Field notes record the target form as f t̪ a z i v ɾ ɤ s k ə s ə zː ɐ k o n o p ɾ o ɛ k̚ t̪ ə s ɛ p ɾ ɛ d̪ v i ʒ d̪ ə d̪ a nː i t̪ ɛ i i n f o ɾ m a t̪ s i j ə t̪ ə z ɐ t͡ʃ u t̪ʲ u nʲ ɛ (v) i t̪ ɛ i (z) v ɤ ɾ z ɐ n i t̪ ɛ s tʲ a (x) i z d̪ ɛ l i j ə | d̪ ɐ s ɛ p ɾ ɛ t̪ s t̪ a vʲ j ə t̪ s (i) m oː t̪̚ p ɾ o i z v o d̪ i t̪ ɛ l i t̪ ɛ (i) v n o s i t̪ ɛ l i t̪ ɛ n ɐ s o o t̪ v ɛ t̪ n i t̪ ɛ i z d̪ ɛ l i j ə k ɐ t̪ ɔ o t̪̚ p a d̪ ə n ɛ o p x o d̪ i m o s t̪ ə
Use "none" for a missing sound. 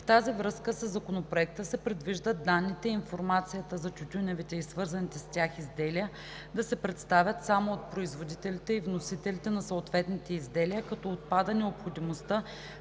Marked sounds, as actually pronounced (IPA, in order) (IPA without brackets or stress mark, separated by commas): v, s, x, a, i